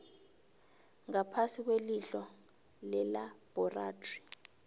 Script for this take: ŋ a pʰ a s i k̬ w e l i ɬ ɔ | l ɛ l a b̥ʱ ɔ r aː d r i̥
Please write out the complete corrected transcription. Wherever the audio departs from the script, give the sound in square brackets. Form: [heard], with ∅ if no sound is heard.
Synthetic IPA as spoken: ŋ a pʰ a s i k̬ w e l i ɬ ɔ | l ɛ l a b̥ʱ ɔ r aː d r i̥